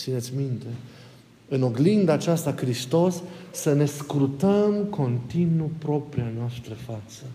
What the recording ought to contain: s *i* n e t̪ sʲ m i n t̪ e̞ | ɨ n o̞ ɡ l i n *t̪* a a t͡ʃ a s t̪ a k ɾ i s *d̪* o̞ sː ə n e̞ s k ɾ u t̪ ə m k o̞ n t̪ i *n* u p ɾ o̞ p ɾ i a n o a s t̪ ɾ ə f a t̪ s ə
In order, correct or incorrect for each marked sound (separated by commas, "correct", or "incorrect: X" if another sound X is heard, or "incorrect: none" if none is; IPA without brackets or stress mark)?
correct, incorrect: d̪, incorrect: t̪, correct